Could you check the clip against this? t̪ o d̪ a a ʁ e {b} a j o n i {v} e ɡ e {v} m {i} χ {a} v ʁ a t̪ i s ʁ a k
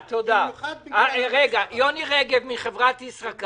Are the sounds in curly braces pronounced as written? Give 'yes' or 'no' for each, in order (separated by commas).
no, no, yes, yes, no